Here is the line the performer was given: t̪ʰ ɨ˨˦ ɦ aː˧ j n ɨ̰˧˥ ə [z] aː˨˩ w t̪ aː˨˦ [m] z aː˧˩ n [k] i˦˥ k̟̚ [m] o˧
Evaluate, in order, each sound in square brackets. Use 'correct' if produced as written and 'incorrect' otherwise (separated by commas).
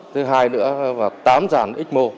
incorrect, correct, incorrect, correct